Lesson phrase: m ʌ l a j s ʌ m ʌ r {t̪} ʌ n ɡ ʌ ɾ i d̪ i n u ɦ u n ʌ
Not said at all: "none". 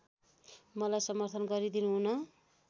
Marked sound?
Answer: t̪ʰ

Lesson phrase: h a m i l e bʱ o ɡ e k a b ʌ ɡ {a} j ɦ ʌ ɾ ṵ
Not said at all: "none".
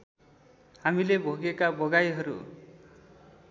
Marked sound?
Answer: a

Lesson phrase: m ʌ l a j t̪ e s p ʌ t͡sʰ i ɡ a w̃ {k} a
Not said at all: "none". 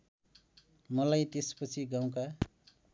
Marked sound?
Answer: k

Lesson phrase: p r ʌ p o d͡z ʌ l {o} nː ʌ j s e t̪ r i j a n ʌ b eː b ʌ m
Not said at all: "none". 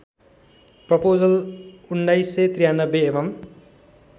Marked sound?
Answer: u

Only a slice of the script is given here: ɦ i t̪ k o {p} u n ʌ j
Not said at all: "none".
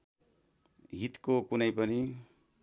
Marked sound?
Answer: k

